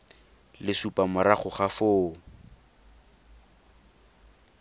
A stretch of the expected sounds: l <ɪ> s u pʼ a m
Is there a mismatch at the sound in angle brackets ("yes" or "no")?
no